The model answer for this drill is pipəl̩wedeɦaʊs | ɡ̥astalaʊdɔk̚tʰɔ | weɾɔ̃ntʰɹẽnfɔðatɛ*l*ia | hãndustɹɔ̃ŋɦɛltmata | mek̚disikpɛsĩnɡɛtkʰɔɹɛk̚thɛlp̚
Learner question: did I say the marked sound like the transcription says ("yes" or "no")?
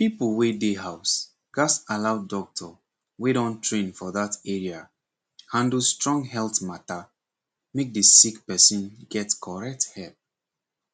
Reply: no